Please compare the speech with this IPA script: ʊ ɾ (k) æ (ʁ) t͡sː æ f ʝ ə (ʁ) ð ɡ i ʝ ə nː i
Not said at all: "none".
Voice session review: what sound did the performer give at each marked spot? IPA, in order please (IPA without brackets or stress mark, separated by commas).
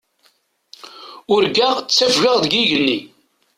ɡ, ʁ, ʁ